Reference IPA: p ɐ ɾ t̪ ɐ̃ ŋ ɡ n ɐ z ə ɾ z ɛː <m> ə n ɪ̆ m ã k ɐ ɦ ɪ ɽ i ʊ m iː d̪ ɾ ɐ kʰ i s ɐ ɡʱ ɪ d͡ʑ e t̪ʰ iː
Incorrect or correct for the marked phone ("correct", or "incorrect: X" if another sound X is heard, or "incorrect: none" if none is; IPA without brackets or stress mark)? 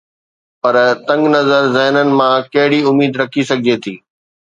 incorrect: n